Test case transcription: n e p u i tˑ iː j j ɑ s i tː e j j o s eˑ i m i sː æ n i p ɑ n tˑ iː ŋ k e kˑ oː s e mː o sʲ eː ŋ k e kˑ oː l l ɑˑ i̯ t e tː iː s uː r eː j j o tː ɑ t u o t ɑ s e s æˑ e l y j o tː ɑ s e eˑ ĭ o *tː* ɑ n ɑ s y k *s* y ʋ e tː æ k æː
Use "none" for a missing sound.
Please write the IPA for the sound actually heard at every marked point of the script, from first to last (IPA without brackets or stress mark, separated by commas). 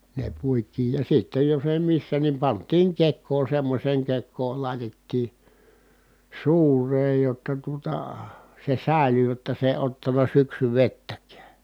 tː, s